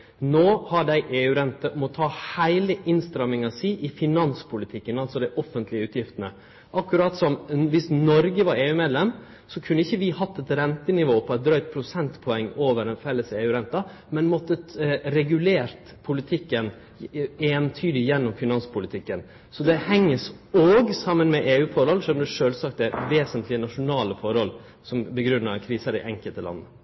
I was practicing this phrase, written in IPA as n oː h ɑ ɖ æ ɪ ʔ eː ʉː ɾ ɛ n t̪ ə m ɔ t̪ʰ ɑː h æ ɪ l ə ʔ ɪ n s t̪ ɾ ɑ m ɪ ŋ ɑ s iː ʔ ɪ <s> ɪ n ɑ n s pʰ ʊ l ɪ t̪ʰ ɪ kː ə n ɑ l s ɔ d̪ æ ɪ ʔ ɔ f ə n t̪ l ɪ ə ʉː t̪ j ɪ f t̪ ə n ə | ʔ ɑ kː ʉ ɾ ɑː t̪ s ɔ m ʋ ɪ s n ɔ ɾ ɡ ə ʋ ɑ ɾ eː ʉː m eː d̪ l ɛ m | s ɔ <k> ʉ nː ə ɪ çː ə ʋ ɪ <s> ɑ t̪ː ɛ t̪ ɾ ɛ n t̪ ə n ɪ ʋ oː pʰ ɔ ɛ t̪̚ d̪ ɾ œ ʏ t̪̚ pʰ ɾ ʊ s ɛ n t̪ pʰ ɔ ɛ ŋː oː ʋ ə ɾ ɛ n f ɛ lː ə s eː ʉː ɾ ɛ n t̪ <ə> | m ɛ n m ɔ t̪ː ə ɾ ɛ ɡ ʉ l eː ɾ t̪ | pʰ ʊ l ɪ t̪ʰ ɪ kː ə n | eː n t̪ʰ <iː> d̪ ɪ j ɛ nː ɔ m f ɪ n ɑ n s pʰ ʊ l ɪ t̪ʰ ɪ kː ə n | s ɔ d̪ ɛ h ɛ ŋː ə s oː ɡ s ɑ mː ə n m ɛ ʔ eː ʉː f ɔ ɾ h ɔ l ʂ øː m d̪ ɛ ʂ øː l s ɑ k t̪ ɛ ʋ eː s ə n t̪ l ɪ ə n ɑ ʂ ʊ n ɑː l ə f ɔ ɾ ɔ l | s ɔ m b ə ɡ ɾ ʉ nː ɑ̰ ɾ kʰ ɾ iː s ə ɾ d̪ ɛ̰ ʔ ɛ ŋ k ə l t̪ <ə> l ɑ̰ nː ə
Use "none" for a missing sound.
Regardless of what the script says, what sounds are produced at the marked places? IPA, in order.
f, kʰ, h, ɑ, yː, ə

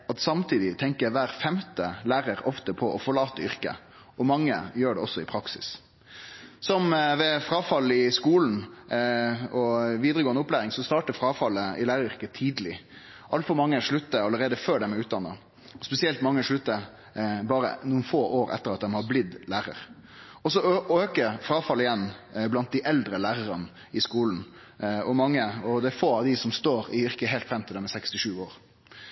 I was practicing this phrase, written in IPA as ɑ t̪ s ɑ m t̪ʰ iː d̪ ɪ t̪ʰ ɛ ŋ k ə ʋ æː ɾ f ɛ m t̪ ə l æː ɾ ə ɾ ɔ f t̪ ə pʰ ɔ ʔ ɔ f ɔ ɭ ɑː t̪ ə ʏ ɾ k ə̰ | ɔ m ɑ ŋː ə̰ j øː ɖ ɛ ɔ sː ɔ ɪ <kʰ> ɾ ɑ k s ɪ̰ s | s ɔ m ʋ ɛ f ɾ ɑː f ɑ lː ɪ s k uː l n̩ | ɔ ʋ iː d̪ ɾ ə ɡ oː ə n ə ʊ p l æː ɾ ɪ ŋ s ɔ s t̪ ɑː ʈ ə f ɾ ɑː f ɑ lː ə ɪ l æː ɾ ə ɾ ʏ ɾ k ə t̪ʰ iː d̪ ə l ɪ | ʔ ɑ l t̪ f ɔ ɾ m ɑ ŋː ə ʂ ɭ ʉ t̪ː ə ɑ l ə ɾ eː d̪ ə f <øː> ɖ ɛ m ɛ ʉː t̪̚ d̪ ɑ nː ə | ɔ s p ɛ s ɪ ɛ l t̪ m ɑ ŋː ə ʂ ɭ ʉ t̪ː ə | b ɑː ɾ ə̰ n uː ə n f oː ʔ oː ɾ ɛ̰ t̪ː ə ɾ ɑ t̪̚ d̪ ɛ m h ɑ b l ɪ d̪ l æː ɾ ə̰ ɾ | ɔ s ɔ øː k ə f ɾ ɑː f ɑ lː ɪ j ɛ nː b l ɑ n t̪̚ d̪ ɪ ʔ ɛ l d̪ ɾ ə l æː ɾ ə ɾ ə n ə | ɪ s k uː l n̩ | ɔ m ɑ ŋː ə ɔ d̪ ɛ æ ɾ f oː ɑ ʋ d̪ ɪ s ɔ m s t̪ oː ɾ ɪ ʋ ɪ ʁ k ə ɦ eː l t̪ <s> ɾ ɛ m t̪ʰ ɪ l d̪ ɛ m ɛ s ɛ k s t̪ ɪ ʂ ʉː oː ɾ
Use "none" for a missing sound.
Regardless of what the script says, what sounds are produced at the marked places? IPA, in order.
pʰ, øː, f

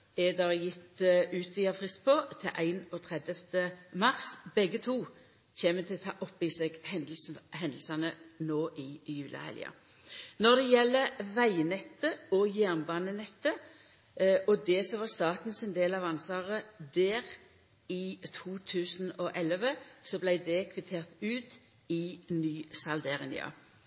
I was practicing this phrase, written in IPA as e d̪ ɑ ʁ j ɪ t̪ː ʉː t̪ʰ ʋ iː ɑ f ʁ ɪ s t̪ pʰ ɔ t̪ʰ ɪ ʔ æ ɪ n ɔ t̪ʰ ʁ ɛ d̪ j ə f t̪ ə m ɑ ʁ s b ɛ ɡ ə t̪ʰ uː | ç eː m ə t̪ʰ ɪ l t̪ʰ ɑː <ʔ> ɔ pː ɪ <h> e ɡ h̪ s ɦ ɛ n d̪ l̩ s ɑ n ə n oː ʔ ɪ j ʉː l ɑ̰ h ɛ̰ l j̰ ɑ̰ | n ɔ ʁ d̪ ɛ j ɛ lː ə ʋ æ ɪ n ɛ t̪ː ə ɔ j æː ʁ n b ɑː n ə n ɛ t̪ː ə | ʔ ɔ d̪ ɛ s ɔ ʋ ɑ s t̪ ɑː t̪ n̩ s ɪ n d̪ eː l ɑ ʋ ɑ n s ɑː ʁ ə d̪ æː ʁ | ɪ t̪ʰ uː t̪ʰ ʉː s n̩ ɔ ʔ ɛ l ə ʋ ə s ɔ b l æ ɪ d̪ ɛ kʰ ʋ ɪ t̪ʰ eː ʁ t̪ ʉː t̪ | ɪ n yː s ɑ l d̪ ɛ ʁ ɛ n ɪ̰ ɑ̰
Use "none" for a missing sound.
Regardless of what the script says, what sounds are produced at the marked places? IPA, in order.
ʔ, s

